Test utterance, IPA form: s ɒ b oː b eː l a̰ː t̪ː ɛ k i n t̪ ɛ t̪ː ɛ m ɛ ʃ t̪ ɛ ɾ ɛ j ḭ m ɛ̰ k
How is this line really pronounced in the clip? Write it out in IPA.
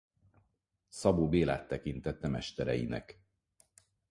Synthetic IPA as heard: s ɒ b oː b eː l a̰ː t̪ː ɛ k i n t̪ ɛ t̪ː ɛ m ɛ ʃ t̪ ɛ ɾ ɛ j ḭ n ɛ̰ k